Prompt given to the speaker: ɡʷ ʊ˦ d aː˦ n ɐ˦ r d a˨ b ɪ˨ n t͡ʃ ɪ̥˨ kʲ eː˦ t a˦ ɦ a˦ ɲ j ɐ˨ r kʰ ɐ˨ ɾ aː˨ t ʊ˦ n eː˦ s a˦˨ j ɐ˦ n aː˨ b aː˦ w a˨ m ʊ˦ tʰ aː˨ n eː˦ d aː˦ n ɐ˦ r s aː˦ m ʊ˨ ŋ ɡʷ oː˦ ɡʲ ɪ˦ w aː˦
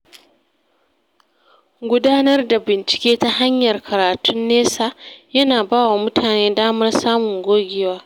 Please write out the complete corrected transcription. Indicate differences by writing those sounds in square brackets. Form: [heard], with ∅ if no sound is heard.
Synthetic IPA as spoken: ɡʷ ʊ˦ d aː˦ n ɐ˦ r d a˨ b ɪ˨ n t͡ʃ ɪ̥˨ kʲ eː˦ t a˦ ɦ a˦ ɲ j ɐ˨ r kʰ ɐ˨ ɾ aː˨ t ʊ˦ [nː] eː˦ s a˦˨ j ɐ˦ n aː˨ b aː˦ w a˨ m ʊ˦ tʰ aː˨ n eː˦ d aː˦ [m] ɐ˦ r s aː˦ m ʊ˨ ŋ ɡʷ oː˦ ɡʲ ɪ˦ w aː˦